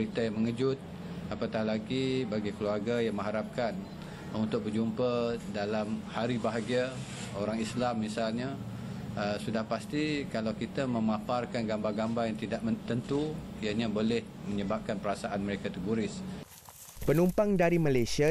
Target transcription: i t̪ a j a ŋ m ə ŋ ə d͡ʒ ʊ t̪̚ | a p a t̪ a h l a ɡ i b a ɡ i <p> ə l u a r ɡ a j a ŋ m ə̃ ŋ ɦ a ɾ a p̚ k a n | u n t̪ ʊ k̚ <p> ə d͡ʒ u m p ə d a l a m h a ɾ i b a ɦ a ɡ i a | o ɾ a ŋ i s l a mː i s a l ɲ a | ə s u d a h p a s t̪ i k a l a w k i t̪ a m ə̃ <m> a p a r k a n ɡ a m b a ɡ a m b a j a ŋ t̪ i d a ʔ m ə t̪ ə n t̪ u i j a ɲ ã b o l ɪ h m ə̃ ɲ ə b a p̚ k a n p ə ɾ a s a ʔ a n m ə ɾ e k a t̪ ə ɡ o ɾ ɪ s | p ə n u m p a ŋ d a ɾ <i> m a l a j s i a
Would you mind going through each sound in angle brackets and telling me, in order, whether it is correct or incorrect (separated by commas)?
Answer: incorrect, incorrect, correct, correct